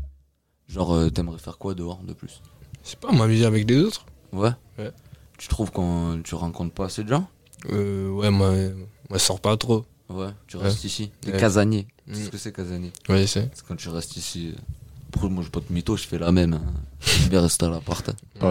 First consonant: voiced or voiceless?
voiced